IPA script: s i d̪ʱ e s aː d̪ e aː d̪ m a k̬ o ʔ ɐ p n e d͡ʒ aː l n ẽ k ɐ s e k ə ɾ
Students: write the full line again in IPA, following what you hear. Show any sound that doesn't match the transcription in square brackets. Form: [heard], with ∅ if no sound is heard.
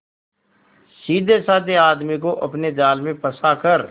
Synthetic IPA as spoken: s [iː] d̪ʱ e s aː d̪ e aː d̪ m [i] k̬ o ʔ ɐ p n e d͡ʒ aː l [m] ẽ [p] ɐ s [a] k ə ɾ